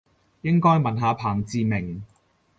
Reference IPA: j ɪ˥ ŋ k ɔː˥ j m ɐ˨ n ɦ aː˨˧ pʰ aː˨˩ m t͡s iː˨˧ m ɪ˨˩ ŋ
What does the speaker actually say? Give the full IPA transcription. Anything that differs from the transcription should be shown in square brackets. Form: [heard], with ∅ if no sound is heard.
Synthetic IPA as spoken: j ɪ˥ ŋ k ɔː˥ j m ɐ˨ n ɦ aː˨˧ pʰ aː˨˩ [ŋ] t͡s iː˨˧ m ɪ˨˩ ŋ